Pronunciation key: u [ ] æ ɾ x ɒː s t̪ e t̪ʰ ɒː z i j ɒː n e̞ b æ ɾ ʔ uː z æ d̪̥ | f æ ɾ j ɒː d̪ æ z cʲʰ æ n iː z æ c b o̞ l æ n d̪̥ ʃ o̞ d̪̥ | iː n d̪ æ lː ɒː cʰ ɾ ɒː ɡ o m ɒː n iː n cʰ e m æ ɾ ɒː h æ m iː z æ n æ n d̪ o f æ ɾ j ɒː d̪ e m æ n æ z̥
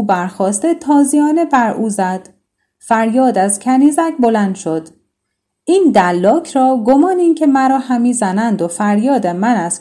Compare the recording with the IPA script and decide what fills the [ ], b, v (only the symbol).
b